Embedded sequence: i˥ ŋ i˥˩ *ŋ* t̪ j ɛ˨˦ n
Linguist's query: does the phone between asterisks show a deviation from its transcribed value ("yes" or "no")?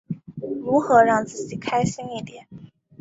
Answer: yes